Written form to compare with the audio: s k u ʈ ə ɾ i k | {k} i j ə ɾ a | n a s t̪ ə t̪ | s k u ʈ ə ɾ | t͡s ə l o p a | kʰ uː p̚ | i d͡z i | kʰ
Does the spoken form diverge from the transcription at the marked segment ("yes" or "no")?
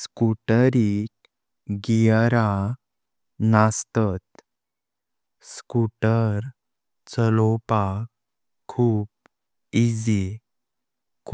yes